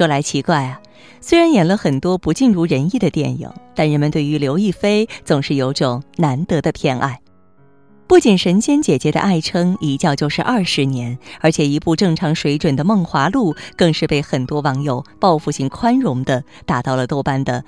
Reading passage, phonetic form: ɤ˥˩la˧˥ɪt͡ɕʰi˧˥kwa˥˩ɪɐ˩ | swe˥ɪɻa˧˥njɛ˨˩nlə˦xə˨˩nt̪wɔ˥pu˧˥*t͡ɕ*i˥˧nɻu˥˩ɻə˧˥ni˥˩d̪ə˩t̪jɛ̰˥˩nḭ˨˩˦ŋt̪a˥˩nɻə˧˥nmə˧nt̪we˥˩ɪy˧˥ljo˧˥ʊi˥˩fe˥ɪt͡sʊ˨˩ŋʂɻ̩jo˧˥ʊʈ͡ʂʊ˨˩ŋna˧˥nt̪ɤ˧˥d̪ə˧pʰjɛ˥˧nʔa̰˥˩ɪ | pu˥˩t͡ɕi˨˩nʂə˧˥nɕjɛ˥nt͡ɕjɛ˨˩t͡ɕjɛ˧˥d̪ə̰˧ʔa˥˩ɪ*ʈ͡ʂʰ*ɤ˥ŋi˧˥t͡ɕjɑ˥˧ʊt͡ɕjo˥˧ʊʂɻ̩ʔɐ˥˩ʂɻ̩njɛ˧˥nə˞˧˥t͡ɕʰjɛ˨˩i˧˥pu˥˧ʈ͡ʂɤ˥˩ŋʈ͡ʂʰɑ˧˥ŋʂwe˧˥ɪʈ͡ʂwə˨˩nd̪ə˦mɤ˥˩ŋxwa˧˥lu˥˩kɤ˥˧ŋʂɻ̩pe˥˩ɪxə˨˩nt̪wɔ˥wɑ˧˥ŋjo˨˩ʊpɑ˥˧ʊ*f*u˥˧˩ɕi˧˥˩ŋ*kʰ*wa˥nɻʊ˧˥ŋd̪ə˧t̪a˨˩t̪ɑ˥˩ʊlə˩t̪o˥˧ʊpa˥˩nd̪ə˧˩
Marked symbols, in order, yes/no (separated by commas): yes, yes, yes, yes